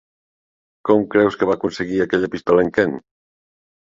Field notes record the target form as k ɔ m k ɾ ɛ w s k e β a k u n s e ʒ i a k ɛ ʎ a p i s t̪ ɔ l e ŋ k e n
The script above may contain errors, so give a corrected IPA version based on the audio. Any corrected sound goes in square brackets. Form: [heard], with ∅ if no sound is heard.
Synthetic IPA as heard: k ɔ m k ɾ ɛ w s k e β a k u n s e [ɣ] i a k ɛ ʎ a p i s t̪ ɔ l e ŋ k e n